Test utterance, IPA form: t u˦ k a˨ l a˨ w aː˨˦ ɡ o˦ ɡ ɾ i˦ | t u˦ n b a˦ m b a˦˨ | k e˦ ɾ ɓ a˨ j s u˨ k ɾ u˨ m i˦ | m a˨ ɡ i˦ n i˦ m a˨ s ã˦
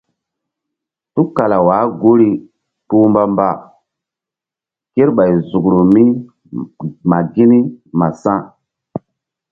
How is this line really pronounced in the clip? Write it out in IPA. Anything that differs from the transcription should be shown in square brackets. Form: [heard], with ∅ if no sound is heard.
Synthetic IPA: t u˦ k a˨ l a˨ w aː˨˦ ɡ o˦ [∅] ɾ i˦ | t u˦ [m] b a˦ m b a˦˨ | k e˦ ɾ ɓ a˨ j [z] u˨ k ɾ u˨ m i˦ | m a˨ ɡ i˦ n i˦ m a˨ s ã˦